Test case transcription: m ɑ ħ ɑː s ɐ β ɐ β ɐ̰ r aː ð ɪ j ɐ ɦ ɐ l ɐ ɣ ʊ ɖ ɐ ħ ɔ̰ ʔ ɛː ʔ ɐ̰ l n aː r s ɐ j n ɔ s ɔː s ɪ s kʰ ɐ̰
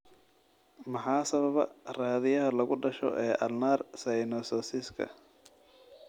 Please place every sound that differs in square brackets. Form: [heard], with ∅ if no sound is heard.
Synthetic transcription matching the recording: m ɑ ħ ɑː s ɐ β ɐ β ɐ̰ r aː ð ɪ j ɐ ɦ ɐ l ɐ ɣ ʊ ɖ ɐ [ʃ] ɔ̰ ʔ ɛː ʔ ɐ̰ l n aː r s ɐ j n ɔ s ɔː s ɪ s kʰ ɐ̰